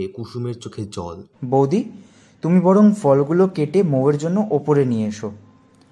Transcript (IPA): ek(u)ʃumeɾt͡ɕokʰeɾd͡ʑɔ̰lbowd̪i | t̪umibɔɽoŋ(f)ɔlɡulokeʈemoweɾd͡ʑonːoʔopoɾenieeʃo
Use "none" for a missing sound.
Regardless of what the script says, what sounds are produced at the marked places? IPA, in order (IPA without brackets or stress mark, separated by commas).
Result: u, f